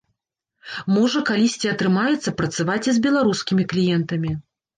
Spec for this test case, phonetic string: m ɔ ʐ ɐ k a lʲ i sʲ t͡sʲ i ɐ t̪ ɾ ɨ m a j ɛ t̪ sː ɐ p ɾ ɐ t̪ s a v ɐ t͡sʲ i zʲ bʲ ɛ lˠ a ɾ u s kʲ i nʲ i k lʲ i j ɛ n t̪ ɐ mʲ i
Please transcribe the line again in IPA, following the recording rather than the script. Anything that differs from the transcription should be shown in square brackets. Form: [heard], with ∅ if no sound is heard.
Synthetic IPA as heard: m ɔ ʐ ɐ k a lʲ i sʲ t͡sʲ i ɐ t̪ ɾ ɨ m a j ɛ t̪ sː ɐ p ɾ ɐ t̪ s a v [a] t͡sʲ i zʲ bʲ ɛ lˠ a ɾ u s kʲ i [mʲ] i k lʲ i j ɛ n t̪ ɐ mʲ i